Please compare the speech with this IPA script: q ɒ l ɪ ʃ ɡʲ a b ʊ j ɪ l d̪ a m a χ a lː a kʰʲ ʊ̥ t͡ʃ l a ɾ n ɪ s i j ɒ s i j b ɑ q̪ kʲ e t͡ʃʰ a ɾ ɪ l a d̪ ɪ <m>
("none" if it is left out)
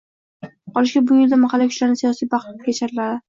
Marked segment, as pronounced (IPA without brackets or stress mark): none